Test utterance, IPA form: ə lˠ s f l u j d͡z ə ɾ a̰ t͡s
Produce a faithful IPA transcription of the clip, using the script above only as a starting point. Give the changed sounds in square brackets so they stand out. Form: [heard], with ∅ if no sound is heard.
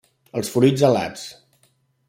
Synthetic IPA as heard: ə lˠ s f [ɾ] u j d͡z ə [l] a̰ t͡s